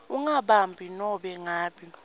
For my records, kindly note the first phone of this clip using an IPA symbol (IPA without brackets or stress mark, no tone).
u